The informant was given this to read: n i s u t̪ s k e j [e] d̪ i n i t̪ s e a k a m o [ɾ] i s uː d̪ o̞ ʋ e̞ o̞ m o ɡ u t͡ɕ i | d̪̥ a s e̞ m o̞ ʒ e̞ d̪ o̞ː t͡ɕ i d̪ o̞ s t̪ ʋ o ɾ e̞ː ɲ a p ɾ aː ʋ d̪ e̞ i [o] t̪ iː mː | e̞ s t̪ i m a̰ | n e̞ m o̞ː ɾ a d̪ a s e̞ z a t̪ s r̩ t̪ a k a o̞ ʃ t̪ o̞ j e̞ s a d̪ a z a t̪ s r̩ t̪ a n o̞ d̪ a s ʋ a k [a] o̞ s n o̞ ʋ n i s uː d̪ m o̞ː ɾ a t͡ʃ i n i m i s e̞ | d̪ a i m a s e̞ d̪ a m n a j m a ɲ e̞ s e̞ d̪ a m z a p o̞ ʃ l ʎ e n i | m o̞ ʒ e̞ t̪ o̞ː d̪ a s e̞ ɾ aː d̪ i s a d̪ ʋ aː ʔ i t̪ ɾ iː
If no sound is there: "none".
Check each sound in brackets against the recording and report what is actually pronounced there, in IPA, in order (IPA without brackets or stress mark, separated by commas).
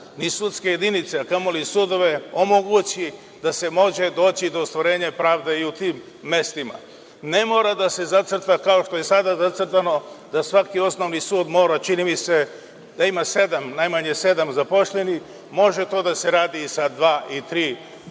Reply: e, l, u, i